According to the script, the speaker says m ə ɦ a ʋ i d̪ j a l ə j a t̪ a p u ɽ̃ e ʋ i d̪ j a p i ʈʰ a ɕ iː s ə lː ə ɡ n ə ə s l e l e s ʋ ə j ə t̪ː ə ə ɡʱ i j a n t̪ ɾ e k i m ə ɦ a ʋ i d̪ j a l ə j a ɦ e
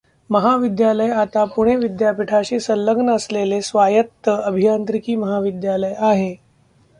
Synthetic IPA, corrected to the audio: m ə ɦ a ʋ i d̪ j a l ə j a t̪ a p u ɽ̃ e ʋ i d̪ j a p i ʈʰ a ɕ iː s ə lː ə ɡ n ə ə s l e l e s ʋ a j ə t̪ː ə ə bʱ i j a n t̪ ɾ i k iː m ə ɦ a ʋ i d̪ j a l ə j a ɦ e